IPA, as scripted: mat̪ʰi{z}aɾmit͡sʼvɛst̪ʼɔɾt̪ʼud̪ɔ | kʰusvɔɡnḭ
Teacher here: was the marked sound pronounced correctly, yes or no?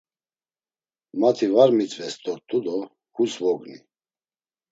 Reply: no